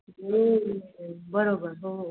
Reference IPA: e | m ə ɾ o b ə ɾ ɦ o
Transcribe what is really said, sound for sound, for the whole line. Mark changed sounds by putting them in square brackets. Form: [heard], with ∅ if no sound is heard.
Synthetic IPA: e | [b] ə ɾ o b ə ɾ ɦ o